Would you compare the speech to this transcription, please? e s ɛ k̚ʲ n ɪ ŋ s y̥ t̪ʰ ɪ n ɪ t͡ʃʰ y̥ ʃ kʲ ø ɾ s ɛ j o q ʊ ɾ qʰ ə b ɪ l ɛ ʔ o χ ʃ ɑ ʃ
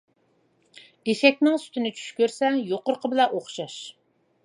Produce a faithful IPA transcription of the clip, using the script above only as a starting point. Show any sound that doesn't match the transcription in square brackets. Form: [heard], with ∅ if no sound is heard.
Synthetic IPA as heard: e [ʃ] ɛ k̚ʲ n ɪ ŋ s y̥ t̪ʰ ɪ n ɪ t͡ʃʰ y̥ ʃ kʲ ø ɾ s ɛ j o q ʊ ɾ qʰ ə b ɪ l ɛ ʔ o χ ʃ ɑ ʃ